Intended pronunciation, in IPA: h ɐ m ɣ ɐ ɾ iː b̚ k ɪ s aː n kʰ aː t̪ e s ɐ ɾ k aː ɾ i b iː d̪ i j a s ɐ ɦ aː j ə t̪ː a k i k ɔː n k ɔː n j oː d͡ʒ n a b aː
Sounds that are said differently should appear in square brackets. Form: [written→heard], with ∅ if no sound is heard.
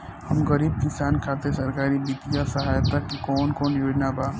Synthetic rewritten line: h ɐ m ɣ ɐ ɾ iː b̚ k ɪ s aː n kʰ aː t̪ e s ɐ ɾ k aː ɾ i b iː [d̪→t̪] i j a s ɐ ɦ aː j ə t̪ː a k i k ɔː n k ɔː n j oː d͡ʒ n a b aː